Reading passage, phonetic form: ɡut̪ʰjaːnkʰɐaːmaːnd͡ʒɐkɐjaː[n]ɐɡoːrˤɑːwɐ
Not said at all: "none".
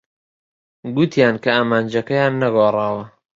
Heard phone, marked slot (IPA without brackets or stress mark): nː